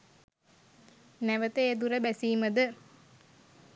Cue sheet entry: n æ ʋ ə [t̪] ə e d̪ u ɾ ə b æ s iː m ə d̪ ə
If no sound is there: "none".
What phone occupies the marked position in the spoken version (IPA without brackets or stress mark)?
t̪